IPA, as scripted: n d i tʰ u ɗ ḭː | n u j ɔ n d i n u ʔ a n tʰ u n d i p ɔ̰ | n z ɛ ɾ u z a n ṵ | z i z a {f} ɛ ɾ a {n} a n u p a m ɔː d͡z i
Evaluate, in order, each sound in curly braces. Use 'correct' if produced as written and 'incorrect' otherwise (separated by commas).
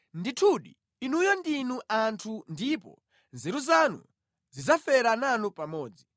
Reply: correct, correct